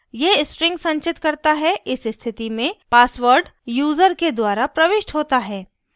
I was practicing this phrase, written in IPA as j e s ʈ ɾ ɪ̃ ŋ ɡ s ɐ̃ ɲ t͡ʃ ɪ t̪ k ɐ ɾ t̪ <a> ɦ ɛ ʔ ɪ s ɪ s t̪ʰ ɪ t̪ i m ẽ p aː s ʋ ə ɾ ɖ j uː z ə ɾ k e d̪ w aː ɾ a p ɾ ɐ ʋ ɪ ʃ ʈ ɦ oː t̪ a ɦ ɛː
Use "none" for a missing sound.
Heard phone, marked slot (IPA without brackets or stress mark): a